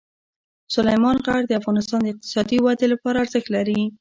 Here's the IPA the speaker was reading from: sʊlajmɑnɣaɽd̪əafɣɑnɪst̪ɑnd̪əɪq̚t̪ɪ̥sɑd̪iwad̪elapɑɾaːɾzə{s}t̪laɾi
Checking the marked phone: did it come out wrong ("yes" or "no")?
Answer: yes